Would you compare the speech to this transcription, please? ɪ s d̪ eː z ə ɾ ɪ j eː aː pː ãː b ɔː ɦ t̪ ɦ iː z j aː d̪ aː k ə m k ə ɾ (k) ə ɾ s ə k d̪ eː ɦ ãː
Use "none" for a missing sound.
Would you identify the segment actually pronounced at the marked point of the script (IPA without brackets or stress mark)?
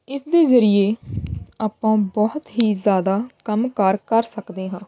k